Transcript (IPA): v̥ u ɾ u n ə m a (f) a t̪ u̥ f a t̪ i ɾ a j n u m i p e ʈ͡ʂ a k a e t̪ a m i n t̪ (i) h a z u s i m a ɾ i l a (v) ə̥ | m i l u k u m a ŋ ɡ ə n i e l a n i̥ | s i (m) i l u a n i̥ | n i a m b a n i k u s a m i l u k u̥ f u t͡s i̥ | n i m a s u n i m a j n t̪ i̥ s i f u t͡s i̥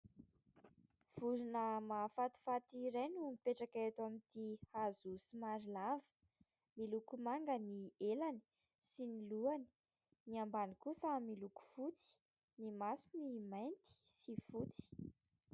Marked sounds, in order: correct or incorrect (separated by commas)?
correct, correct, correct, incorrect